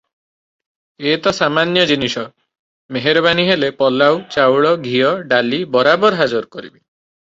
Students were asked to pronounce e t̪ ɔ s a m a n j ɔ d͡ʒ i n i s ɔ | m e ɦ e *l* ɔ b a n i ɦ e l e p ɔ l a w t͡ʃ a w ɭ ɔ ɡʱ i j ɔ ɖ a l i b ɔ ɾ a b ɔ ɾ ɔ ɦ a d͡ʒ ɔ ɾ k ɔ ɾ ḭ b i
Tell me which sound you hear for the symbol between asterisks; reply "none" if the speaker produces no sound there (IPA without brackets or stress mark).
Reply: ɾ